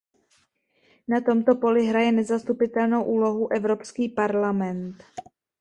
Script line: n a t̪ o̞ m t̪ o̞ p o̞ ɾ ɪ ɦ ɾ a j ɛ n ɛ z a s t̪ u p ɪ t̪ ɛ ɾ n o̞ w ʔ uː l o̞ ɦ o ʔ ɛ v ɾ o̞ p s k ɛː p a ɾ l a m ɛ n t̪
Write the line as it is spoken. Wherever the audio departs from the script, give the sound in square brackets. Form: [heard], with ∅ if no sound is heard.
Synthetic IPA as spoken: n a t̪ o̞ m t̪ o̞ p o̞ [l] ɪ ɦ ɾ a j ɛ n ɛ z a s t̪ u p ɪ t̪ ɛ [l] n o̞ w ʔ uː l o̞ ɦ [u] ʔ ɛ v ɾ o̞ p s k [iː] p a ɾ l a m ɛ n t̪

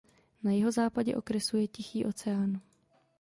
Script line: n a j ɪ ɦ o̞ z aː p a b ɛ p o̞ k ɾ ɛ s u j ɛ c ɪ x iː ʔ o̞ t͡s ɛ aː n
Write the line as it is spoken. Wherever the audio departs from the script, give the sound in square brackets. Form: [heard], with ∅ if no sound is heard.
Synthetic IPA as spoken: n a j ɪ ɦ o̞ z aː p a [ɟ] ɛ [ʔ] o̞ k ɾ ɛ s u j ɛ c ɪ x iː ʔ o̞ t͡s ɛ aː n

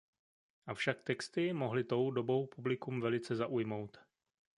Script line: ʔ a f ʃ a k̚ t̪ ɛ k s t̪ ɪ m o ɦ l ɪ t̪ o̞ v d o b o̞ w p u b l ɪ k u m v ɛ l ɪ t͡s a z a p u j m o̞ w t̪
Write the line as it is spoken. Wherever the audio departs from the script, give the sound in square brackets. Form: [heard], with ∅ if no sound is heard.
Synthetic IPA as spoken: ʔ a f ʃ a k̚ t̪ ɛ k s t̪ ɪ m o ɦ l ɪ t̪ o̞ [w] d o b o̞ w p u b l ɪ k u m v ɛ l ɪ t͡s [ɛ] z a [ʔ] u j m o̞ w t̪

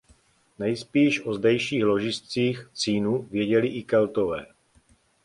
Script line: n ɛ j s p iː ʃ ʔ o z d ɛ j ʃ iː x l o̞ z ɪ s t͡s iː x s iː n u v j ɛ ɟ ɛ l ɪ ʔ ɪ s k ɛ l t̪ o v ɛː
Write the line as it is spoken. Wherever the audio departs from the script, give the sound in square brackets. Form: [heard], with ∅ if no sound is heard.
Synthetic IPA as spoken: n ɛ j s p iː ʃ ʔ o z d ɛ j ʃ iː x l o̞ [ʒ] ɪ s t͡s iː x [t͡s] iː n u v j ɛ ɟ ɛ l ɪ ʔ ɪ [∅] k ɛ l t̪ o v ɛː

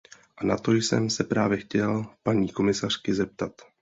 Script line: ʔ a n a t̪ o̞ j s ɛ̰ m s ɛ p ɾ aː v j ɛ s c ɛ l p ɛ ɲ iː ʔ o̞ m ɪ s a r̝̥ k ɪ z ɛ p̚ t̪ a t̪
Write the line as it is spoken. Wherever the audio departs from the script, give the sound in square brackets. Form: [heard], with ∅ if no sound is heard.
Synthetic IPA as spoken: ʔ a n a t̪ o̞ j s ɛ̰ m s ɛ p ɾ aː v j ɛ [x] c ɛ l p [a] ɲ iː [k] o̞ m ɪ s a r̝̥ k ɪ z ɛ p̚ t̪ a t̪

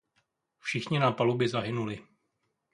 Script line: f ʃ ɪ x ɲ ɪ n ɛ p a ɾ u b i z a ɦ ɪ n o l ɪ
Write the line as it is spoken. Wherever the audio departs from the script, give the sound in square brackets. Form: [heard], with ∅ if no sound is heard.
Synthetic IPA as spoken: f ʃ ɪ x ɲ ɪ n [a] p a [l] u b [ɪ] z a ɦ ɪ n [u] l ɪ

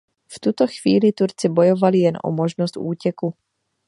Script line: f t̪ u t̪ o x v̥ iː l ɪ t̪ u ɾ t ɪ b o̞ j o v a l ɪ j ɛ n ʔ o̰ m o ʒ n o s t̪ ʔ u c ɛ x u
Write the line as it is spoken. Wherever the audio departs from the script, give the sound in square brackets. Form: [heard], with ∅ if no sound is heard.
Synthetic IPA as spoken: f t̪ u t̪ o x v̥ iː l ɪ t̪ u ɾ [t͡s] ɪ b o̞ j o v a l ɪ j ɛ n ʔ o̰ m o ʒ n o s t̪ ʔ [uː] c ɛ [k] u

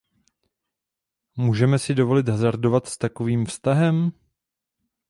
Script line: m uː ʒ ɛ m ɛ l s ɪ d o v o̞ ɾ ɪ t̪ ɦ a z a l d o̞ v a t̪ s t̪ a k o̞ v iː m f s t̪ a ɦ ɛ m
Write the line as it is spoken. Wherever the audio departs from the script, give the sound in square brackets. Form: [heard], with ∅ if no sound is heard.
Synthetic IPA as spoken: m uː ʒ ɛ m ɛ [∅] s ɪ d o v o̞ [l] ɪ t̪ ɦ a z a [ɾ] d o̞ v a t̪ s t̪ a k o̞ v iː m f s t̪ a ɦ ɛ m

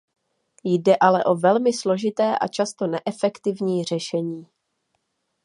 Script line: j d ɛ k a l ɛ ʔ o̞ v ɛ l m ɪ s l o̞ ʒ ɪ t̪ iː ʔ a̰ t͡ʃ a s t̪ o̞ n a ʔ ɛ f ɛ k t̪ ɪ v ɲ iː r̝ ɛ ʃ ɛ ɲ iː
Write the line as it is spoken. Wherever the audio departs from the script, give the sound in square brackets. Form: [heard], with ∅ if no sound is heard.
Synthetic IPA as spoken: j d ɛ [ʔ] a l ɛ ʔ o̞ v ɛ l m ɪ s l o̞ ʒ ɪ t̪ [ɛː] ʔ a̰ t͡ʃ a s t̪ o̞ n [ɛ] ʔ ɛ f ɛ k t̪ ɪ v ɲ iː r̝ ɛ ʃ ɛ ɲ iː

